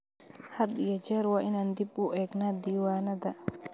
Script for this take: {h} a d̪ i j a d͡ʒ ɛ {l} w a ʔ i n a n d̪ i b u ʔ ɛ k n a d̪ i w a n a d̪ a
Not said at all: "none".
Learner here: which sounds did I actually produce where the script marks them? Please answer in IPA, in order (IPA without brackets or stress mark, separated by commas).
h, ɾ